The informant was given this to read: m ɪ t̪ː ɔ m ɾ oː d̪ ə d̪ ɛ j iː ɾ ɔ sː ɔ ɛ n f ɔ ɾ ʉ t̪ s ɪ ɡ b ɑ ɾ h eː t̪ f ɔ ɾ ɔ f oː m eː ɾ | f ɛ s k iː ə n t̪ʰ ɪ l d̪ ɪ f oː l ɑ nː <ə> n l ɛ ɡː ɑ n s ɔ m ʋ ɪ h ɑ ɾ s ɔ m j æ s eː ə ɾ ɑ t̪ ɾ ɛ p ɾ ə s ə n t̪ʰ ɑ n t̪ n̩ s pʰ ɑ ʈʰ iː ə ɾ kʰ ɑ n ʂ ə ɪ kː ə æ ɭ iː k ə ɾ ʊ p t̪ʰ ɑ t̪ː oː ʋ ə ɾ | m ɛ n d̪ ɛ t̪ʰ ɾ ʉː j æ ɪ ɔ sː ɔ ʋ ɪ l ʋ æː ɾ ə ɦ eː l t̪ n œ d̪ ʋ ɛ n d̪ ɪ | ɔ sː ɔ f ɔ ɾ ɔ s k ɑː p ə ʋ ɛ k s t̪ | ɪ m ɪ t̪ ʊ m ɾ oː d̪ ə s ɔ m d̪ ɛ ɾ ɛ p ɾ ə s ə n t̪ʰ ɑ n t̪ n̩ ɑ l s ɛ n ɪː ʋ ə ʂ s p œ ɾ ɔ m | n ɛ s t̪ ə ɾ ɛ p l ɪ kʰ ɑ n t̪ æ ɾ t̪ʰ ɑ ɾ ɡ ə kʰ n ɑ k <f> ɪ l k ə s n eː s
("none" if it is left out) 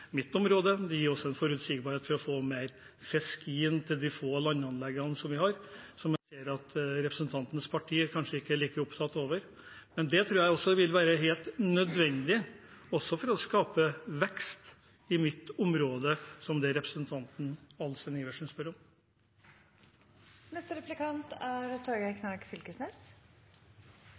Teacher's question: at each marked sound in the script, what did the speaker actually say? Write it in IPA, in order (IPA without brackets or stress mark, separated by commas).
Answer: ɑ, f